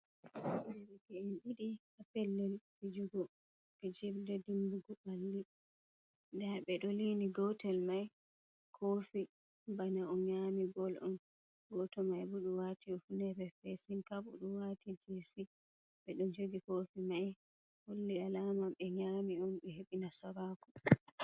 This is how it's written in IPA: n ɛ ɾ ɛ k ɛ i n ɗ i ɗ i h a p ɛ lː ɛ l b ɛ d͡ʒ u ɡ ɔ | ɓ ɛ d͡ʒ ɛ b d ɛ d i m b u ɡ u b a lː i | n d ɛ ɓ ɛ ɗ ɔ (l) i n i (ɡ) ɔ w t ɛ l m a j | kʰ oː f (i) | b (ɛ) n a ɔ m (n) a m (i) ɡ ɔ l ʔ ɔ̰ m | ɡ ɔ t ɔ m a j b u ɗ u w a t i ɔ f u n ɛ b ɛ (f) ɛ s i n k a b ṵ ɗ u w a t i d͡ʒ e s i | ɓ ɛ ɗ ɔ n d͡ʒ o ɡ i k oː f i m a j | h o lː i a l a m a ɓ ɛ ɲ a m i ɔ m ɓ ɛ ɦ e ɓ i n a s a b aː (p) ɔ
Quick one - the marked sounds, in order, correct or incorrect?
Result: correct, correct, correct, incorrect, incorrect, correct, correct, incorrect

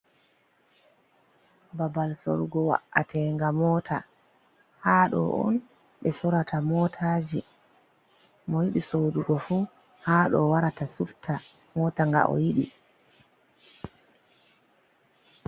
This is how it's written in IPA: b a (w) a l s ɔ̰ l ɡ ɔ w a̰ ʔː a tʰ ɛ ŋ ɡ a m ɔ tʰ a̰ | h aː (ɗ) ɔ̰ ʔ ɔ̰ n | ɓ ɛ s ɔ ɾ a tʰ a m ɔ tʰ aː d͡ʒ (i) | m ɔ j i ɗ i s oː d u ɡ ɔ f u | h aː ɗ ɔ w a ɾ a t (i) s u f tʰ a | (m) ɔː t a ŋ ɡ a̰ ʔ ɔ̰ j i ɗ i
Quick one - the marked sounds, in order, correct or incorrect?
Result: incorrect, correct, correct, incorrect, correct

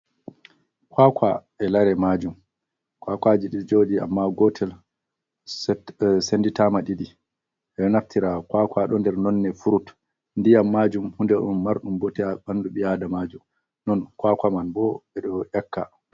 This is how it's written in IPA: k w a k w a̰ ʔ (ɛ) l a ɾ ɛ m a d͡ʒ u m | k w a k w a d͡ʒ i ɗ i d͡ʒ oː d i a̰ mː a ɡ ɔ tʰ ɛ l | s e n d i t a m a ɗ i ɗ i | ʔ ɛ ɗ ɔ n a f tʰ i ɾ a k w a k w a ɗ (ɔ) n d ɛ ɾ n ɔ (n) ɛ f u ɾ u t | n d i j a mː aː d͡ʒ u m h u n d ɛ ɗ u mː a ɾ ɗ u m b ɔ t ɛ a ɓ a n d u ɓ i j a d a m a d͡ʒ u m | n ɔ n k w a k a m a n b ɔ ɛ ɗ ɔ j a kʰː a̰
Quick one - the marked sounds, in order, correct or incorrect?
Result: correct, correct, incorrect

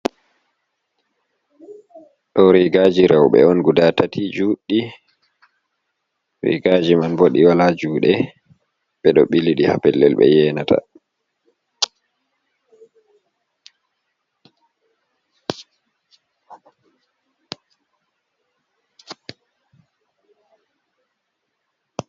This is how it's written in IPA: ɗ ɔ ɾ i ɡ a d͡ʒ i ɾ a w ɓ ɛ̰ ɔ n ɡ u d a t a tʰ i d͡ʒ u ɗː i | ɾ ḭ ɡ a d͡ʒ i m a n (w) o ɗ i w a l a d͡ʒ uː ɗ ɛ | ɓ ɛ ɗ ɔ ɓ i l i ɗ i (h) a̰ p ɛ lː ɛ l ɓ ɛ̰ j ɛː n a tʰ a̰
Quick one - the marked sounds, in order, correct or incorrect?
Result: incorrect, correct

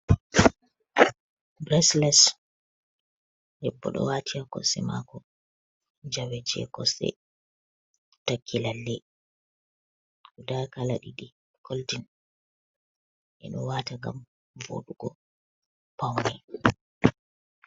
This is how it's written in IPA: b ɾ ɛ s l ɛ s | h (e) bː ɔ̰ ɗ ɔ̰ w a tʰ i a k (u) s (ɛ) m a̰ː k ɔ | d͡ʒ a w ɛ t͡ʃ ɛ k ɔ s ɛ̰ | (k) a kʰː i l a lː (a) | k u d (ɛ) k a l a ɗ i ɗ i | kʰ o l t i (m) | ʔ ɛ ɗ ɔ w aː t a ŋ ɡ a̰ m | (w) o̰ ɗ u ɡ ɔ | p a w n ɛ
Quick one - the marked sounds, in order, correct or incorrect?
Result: incorrect, incorrect, correct, incorrect, incorrect, incorrect, incorrect, incorrect

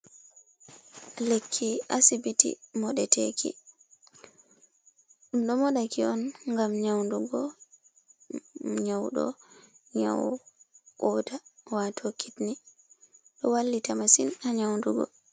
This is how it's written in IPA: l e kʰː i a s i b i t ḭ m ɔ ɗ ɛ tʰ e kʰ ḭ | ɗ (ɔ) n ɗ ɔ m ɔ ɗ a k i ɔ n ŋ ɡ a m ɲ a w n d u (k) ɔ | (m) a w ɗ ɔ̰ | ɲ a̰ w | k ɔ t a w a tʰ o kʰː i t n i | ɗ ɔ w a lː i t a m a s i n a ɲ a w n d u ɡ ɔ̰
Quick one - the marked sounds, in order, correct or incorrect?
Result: incorrect, incorrect, incorrect

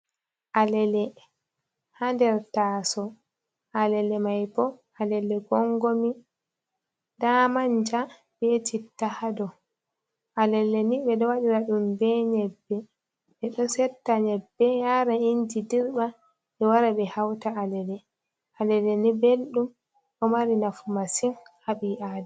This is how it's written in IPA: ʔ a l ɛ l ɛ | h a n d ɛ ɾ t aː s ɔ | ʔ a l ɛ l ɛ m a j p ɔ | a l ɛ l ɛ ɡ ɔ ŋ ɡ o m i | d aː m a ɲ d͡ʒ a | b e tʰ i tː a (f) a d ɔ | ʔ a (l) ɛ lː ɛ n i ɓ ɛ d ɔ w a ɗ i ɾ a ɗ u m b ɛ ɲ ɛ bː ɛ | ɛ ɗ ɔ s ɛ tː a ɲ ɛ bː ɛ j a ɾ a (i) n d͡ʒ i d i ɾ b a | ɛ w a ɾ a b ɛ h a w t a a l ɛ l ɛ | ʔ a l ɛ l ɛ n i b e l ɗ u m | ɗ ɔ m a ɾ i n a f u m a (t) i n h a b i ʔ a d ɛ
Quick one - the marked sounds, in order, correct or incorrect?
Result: incorrect, correct, correct, incorrect

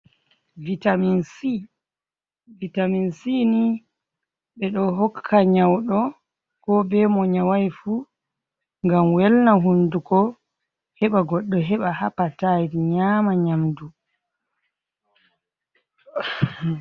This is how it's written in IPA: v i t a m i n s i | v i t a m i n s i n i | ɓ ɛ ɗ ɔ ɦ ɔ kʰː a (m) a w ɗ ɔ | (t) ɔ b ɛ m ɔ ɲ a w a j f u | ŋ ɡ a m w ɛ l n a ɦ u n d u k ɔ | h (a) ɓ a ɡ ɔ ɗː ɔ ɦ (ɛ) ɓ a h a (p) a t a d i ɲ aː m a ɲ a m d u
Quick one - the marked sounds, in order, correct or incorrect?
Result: incorrect, incorrect, incorrect, correct, correct

